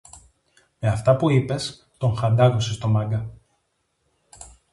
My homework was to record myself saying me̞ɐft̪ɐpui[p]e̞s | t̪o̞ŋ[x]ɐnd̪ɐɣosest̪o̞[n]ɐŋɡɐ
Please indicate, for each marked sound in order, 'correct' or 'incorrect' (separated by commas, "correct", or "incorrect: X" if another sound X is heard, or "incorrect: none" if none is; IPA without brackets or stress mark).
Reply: correct, correct, incorrect: m